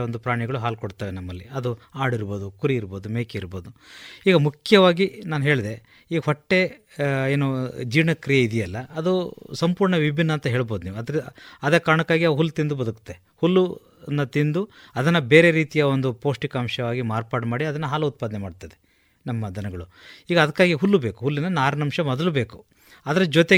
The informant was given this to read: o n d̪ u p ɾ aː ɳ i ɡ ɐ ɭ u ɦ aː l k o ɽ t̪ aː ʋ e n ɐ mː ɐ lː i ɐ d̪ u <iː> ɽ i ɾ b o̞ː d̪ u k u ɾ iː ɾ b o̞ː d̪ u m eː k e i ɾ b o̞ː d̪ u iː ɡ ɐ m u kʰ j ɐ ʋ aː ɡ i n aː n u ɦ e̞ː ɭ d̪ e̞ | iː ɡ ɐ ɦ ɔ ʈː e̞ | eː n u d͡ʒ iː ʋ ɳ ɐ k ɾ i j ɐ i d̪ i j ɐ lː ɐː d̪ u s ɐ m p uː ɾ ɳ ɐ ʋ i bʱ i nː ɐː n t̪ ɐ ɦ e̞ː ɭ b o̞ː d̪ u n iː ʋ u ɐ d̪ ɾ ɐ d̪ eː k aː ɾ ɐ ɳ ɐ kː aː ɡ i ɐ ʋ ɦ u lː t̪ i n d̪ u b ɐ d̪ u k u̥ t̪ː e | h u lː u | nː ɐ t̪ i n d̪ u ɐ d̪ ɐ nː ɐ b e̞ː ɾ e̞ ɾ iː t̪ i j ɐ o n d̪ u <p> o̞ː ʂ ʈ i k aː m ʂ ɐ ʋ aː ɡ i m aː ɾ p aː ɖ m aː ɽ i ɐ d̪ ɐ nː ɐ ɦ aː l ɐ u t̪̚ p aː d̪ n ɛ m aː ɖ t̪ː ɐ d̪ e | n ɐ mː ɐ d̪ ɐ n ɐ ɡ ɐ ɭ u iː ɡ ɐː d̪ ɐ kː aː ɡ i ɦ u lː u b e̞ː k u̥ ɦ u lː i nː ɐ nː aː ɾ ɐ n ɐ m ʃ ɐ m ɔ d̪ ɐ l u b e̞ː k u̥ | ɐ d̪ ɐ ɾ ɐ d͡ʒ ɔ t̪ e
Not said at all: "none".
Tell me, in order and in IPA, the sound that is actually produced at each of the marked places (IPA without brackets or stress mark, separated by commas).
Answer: aː, p